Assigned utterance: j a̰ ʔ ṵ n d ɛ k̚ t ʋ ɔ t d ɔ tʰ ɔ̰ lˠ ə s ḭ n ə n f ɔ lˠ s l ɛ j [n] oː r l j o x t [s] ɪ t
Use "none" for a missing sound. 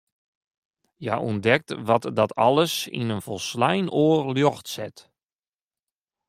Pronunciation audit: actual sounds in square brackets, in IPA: n, s

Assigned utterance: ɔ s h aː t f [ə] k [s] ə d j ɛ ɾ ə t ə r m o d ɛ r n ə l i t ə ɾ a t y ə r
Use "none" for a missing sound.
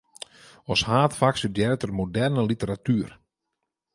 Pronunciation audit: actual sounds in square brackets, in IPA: a, s

